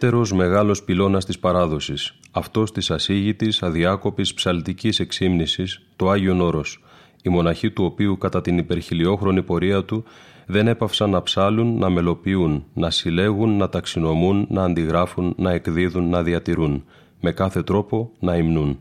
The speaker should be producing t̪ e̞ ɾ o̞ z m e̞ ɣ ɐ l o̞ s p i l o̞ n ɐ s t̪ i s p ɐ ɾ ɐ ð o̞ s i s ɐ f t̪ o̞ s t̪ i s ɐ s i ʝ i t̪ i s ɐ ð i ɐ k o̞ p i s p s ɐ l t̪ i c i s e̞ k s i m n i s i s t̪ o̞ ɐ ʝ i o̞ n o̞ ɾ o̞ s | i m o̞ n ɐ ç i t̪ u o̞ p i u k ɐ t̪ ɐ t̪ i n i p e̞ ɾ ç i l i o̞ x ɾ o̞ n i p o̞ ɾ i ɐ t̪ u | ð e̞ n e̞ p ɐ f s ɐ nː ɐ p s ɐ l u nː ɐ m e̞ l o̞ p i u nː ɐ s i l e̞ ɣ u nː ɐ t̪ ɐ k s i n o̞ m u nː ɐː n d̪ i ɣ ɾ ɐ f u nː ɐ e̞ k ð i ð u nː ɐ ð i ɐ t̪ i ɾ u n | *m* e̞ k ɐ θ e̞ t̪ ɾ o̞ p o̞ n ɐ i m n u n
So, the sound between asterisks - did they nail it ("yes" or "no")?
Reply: yes